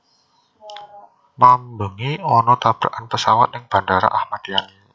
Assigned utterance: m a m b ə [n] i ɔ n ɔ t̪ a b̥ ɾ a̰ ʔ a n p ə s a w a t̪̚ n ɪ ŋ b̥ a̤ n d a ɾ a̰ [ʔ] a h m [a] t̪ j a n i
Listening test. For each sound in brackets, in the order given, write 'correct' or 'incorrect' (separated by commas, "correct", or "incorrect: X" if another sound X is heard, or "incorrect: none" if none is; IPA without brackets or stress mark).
incorrect: ŋ, correct, correct